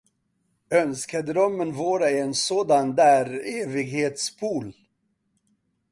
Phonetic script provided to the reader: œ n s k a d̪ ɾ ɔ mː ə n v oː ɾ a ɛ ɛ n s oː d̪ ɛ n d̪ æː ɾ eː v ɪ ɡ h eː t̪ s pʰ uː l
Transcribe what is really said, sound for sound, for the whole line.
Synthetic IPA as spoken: œ n s k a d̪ ɾ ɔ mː ə n v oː ɾ a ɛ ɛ n s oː d̪ a n d̪ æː ɾ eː v ɪ ɡ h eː t̪ s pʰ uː l